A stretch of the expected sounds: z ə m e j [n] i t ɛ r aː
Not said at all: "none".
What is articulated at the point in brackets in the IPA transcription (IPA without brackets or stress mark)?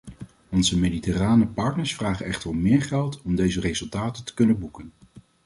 d